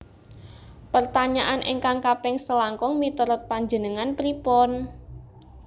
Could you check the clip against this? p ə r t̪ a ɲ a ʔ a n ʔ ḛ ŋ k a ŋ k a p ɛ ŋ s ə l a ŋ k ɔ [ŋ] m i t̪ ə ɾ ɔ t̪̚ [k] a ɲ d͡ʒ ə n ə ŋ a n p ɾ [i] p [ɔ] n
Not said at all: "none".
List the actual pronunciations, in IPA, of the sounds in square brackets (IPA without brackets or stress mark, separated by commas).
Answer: ŋ, p, i, ɔ